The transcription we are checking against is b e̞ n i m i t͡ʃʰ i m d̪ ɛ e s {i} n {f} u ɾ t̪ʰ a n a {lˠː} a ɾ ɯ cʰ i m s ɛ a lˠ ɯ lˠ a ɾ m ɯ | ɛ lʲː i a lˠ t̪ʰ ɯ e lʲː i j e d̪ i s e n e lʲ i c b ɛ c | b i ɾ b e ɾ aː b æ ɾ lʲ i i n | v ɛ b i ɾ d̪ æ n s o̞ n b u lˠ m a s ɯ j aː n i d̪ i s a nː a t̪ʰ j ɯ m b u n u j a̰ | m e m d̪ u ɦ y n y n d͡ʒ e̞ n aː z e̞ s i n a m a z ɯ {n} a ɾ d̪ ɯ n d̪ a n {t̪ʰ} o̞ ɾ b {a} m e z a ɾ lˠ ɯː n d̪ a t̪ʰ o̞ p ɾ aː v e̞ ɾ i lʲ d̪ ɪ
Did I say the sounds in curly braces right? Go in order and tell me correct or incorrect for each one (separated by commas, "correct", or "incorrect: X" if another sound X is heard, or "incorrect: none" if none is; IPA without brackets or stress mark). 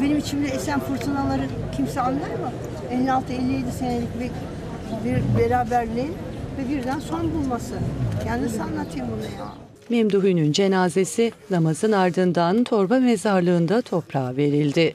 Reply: incorrect: æ, correct, incorrect: lˠ, correct, correct, correct